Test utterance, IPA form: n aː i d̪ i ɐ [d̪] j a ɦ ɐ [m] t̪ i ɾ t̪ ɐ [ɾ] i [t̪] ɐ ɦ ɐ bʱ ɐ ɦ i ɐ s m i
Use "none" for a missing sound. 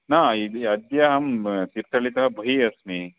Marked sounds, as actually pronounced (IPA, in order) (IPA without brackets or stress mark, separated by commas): d̪, m, ɭ, t̪